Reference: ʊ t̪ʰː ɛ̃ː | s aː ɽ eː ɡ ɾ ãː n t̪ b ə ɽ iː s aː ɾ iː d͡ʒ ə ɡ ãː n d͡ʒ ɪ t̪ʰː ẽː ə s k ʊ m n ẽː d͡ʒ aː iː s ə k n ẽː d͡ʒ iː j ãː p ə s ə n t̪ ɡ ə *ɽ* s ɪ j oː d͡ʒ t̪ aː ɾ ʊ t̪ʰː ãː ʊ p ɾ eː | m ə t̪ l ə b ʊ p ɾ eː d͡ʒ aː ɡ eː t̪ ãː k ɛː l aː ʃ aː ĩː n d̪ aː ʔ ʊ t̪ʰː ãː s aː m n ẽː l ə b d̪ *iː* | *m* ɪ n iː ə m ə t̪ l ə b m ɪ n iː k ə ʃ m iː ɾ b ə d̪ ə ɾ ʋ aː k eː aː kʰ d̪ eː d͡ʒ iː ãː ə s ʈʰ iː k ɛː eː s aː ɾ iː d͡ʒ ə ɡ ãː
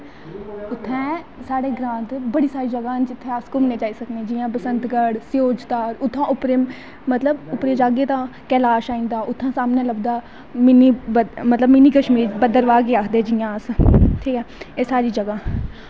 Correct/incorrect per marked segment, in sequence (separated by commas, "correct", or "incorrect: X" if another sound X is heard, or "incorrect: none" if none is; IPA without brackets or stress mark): correct, incorrect: aː, correct